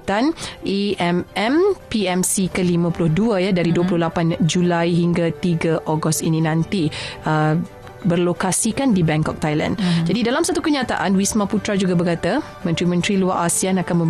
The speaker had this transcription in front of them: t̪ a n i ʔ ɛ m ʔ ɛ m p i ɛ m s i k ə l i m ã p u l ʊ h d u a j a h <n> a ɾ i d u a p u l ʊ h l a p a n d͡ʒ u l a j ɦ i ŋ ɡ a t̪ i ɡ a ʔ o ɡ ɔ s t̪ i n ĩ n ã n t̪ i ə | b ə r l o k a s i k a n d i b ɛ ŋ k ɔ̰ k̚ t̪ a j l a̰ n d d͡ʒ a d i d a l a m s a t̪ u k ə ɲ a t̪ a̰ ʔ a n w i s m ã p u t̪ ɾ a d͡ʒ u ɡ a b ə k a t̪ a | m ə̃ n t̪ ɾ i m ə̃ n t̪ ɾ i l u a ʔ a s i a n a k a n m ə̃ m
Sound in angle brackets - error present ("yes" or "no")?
yes